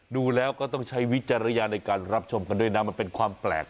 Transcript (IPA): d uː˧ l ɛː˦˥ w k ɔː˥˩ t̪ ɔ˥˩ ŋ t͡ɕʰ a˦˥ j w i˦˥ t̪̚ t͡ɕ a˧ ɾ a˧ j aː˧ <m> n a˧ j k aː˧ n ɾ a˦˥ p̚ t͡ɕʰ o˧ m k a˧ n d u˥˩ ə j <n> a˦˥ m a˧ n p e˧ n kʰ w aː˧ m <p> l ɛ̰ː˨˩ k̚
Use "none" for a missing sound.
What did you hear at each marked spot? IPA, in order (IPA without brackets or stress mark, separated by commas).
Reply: none, n, p